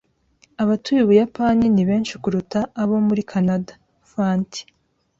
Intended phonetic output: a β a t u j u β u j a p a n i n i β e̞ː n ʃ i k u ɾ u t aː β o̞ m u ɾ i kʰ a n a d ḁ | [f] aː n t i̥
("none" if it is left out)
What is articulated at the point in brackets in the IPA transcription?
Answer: f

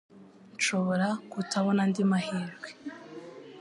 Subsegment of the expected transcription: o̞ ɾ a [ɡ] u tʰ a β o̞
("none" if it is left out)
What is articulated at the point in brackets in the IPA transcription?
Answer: k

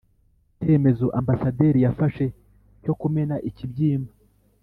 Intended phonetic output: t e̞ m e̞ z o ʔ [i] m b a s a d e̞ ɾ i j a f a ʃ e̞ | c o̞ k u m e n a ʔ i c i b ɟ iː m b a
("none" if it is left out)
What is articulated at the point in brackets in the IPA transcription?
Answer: a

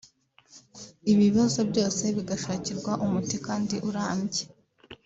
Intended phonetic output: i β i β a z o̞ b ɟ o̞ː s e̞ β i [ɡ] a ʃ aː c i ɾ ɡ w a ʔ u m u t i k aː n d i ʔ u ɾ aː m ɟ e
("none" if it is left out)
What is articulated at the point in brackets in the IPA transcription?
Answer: ɡ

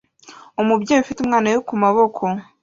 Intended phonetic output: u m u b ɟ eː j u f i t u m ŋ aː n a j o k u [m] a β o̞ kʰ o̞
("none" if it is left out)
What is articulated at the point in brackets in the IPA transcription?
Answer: m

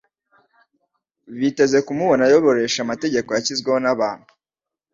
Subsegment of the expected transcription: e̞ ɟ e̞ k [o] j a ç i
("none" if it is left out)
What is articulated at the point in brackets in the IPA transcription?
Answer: o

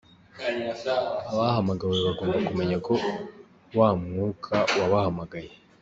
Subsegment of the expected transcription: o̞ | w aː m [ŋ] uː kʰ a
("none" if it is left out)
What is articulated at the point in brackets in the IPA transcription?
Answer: ŋ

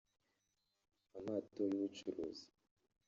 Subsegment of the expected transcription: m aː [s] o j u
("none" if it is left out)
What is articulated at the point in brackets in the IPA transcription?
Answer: t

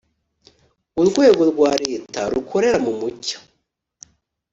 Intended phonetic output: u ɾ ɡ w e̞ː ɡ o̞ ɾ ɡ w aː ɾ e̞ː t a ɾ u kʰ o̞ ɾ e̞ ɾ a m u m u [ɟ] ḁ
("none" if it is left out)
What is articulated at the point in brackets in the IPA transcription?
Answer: c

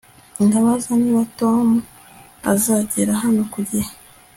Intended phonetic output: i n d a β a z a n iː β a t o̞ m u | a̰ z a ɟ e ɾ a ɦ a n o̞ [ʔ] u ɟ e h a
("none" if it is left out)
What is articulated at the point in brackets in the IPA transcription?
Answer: k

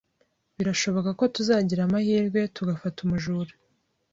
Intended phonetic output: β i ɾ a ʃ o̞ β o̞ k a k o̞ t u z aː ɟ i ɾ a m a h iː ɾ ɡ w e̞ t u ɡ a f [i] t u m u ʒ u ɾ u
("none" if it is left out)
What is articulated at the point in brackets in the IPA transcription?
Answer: a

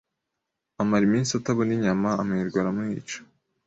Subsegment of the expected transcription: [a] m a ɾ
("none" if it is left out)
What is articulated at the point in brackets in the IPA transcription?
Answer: a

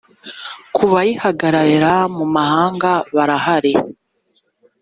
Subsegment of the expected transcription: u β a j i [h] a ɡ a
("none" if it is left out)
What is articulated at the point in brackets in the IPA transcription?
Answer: h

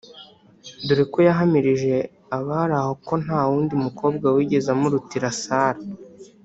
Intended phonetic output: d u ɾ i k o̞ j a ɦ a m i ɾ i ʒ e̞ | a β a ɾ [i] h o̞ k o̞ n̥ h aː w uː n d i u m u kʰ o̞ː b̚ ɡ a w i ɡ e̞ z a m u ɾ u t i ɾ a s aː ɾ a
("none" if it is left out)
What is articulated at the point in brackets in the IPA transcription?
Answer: a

